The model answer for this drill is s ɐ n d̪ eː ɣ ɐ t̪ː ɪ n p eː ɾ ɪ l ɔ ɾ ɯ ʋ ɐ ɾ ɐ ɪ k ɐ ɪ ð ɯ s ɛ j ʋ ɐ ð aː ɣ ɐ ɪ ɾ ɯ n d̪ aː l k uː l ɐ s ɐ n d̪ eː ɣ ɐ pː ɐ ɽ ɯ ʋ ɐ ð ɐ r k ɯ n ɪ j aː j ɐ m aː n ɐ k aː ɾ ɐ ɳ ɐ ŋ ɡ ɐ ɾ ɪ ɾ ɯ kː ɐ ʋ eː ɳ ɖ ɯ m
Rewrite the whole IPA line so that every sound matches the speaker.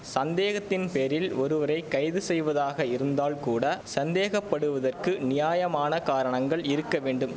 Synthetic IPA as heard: s ɐ n d̪ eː ɣ ɐ t̪ː ɪ n p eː ɾ ɪ l ɔ ɾ ɯ ʋ ɐ ɾ ɐ ɪ k ɐ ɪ ð ɯ s ɛ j ʋ ɐ ð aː ɣ ɐ ɪ ɾ ɯ n d̪ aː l k uː ɽ ɐ s ɐ n d̪ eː ɣ ɐ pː ɐ ɽ ɯ ʋ ɐ ð ɐ r k ɯ n ɪ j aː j ɐ m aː n ɐ k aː ɾ ɐ ɳ ɐ ŋ ɡ ɐ ɭ ɪ ɾ ɯ kː ɐ ʋ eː ɳ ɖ ɯ m